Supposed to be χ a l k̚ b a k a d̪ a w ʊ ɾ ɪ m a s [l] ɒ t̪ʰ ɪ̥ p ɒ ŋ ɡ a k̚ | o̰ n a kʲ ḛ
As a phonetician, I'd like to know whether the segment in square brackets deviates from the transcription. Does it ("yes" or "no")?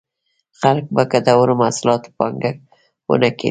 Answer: no